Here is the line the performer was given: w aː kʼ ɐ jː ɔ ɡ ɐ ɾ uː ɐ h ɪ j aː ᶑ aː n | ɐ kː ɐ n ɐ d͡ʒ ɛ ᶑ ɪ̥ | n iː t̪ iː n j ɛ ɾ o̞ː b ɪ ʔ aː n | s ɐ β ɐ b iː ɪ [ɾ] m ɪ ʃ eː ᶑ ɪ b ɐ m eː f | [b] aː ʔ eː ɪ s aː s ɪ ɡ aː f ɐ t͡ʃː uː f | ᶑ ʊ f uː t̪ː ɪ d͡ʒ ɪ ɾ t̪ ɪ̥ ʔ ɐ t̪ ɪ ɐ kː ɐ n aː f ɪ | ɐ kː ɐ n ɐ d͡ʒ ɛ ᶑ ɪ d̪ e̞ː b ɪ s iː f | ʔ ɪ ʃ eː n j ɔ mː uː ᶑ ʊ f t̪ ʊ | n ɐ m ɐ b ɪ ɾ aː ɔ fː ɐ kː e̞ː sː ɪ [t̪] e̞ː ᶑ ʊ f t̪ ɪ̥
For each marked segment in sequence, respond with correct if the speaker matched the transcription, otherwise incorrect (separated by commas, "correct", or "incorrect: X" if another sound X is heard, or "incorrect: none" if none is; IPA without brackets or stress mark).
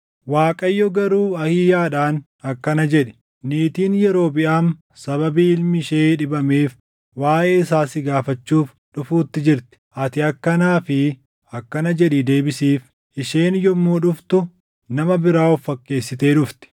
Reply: incorrect: l, incorrect: w, correct